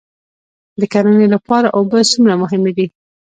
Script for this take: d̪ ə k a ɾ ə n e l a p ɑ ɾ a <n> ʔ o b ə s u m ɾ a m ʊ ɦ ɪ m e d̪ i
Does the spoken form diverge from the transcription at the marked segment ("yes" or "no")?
yes